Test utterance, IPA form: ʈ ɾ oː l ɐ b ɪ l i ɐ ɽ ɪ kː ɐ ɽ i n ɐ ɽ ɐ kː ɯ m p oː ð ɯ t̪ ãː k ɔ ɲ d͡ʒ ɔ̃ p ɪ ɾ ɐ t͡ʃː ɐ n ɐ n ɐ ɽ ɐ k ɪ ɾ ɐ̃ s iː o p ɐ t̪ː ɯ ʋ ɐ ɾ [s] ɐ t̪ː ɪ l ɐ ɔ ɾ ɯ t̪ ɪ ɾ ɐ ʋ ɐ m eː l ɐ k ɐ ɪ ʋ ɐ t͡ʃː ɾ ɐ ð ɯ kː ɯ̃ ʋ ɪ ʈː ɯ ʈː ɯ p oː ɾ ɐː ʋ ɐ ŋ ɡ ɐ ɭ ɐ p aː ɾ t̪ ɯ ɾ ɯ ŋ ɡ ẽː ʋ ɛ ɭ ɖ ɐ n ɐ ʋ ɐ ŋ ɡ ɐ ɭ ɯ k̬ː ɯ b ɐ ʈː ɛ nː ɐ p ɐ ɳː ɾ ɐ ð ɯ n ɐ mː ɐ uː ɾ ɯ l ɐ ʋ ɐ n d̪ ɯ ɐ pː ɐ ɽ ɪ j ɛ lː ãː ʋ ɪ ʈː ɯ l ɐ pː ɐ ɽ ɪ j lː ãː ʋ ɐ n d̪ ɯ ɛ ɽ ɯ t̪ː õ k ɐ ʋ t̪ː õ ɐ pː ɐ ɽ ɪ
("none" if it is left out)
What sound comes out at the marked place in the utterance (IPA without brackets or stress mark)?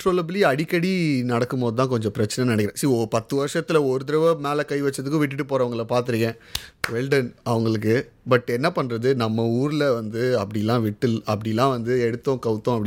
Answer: ʂ